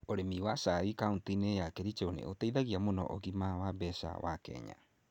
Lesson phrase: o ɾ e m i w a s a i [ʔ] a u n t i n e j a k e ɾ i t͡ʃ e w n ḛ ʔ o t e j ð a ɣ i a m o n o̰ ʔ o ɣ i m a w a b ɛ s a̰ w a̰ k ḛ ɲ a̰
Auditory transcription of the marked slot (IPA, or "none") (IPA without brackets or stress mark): k